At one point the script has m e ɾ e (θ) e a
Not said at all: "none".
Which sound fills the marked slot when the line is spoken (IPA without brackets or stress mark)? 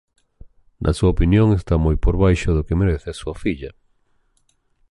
θ